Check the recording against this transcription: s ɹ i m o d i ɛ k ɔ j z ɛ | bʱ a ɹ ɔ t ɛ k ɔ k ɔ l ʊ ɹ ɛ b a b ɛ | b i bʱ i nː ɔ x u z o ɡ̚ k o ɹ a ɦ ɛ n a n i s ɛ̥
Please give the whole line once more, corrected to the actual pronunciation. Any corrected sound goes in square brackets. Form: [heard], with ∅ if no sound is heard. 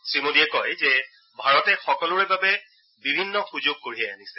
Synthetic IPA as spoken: s ɹ i m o d i ɛ k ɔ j z ɛ | bʱ a ɹ ɔ t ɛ [x] ɔ k ɔ l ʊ ɹ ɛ b a b ɛ | b i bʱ i nː ɔ x u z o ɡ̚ k o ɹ [i] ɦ ɛ [∅] a n i s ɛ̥